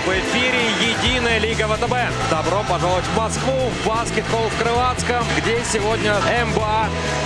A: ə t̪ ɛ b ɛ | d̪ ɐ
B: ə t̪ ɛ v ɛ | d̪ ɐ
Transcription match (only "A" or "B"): A